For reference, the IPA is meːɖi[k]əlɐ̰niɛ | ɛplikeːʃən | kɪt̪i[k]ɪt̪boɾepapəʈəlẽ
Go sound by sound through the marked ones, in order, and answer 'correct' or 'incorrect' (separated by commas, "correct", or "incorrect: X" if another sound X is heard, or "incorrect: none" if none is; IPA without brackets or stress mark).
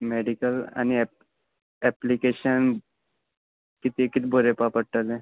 correct, correct